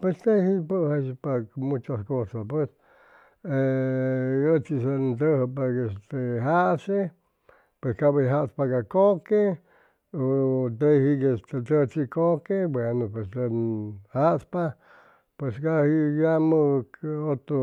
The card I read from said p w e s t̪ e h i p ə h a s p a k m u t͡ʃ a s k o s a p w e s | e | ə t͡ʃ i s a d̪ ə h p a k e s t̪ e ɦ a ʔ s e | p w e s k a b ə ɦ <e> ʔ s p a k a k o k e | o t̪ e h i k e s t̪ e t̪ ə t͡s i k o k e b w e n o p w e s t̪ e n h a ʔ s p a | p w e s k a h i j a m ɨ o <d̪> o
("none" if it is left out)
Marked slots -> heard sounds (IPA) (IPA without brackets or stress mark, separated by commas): a, t̪